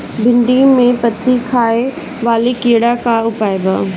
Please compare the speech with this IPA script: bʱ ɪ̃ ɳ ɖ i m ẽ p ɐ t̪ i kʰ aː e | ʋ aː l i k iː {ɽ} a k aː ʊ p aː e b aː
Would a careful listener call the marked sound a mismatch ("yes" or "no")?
no